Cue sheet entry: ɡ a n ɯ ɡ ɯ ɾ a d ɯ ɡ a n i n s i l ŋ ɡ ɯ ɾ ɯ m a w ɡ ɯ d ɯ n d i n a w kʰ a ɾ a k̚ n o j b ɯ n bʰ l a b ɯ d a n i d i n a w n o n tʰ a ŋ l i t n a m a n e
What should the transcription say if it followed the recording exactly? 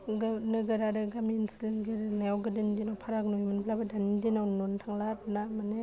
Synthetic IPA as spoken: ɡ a n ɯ ɡ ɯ ɾ a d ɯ ɡ a m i n s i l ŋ ɡ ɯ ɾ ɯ n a w ɡ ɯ d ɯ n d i n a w pʰ a ɾ a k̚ n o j m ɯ n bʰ l a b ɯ d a n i d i n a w n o n tʰ a ŋ l a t n a m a n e